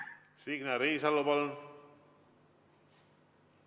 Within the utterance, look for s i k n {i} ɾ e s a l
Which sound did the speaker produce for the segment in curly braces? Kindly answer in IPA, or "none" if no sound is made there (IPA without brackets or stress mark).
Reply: a